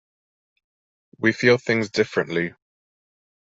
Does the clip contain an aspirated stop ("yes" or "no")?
no